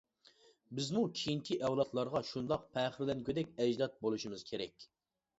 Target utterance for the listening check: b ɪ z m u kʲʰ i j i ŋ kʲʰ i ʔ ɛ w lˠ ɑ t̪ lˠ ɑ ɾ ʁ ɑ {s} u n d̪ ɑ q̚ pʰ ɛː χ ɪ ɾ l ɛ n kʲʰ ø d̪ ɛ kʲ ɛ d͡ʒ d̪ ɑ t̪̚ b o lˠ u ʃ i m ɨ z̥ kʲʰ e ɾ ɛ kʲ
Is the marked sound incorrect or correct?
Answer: incorrect: ʃ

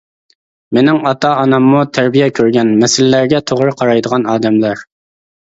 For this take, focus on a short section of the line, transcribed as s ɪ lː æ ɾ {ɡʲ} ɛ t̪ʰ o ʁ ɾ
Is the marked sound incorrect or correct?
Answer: correct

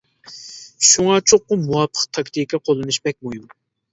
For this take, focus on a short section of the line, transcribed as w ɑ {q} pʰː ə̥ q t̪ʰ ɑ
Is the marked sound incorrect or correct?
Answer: incorrect: none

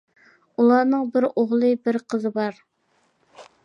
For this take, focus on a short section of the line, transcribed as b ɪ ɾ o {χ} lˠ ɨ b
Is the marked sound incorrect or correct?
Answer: incorrect: ʁ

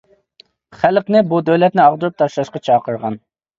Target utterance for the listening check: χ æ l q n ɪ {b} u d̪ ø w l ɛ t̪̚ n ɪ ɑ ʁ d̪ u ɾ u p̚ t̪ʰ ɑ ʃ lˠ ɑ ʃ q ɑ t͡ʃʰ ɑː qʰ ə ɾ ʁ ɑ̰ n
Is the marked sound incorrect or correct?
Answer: correct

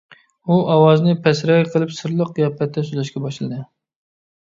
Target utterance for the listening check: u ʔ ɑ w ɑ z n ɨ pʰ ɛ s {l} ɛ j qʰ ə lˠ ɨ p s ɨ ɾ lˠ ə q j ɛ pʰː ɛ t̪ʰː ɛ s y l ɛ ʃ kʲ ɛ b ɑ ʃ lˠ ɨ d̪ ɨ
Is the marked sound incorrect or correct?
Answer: incorrect: ɾ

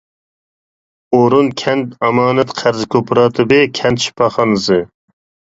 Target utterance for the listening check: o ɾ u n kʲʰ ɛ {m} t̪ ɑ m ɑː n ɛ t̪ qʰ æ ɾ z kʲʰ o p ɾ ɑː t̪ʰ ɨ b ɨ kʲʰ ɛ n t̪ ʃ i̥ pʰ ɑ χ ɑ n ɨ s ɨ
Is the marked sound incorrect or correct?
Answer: incorrect: n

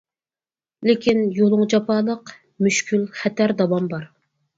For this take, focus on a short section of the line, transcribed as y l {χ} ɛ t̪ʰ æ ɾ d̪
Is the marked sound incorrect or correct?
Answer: correct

